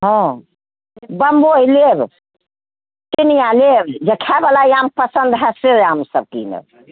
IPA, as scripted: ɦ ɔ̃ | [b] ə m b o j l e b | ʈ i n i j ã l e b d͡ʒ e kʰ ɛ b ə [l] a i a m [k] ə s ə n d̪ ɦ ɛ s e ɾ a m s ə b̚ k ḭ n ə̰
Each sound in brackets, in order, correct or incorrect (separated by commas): correct, correct, incorrect